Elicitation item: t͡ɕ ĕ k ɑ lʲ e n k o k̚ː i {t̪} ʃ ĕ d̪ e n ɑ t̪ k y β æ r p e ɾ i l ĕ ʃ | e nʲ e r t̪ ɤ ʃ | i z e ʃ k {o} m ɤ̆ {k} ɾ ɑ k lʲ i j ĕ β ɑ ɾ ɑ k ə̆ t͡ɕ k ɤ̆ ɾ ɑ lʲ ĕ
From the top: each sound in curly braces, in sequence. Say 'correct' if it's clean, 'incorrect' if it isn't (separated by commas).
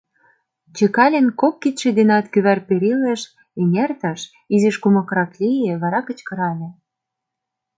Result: correct, incorrect, correct